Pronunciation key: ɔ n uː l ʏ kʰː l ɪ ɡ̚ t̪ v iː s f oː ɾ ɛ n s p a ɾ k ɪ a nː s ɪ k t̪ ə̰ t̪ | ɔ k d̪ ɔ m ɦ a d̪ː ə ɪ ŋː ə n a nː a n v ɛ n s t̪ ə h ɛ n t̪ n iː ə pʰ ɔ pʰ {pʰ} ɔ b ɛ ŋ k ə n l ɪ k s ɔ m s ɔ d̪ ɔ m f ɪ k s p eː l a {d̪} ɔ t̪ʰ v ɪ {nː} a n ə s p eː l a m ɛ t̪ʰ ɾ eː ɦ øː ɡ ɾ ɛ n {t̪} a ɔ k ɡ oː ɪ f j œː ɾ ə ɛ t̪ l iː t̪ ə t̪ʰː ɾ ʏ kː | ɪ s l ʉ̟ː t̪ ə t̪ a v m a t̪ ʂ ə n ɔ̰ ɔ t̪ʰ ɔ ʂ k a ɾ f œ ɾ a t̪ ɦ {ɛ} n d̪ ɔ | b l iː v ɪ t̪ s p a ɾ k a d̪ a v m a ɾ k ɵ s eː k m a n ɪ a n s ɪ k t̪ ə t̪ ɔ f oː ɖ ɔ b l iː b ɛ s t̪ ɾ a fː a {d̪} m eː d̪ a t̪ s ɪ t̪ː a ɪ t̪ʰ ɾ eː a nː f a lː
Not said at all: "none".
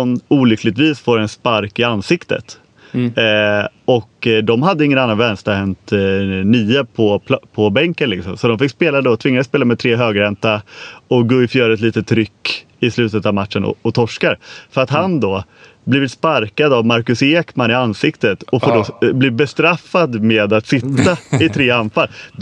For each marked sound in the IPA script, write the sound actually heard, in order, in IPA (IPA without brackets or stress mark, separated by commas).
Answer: pʰ, d̪, ŋː, t̪, a, d̪